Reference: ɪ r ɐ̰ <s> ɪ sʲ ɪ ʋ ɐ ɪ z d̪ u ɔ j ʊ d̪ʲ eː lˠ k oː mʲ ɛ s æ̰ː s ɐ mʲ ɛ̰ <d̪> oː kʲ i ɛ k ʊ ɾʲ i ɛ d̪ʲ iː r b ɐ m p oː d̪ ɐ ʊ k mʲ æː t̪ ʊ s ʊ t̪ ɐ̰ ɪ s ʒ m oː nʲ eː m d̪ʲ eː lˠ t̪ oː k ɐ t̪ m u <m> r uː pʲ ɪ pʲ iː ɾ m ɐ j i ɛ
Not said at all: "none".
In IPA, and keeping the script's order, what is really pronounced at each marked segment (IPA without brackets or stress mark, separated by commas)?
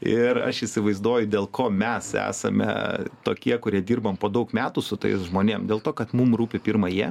ʃ, t̪, m